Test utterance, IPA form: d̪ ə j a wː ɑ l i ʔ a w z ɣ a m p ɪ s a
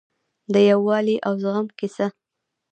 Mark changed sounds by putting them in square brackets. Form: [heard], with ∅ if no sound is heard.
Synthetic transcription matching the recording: d̪ ə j a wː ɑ l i ʔ a w z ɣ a m [k] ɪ s a